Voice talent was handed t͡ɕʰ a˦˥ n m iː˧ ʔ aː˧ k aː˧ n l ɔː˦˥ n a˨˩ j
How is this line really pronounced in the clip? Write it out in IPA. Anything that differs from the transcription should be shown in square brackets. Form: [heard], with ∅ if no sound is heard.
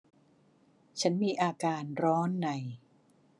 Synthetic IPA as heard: t͡ɕʰ a˦˥ n m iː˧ ʔ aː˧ k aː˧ n [ɾ] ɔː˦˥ [nː] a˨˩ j